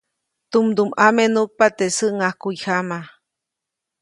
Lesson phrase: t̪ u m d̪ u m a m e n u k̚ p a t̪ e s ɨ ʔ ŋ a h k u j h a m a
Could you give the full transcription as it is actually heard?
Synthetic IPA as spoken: t̪ u m d̪ u m a m e n u k̚ p a t̪ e s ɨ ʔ ŋ a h k u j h a m a